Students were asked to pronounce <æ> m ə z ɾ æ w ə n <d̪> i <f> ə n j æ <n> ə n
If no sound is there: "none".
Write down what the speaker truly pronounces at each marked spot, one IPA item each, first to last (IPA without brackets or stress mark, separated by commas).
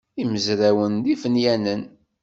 i, d̪, f, n